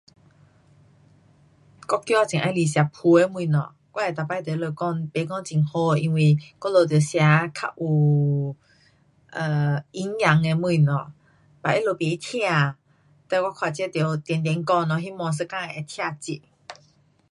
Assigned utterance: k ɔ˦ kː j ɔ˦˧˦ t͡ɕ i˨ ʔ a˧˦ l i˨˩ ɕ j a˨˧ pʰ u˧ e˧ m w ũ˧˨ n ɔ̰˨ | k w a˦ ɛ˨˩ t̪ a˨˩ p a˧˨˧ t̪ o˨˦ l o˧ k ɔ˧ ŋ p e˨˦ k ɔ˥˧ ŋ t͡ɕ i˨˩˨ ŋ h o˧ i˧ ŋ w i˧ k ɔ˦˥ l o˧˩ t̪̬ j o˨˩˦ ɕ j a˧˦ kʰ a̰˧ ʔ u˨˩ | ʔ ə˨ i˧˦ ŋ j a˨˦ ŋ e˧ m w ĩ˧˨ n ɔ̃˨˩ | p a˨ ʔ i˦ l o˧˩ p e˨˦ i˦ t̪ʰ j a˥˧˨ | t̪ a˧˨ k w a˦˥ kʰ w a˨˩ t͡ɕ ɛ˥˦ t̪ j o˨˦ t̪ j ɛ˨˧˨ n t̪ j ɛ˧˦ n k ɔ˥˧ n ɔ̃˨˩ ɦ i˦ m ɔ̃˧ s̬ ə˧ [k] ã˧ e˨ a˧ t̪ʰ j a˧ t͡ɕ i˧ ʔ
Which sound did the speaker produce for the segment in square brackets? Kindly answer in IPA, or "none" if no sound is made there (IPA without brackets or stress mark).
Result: k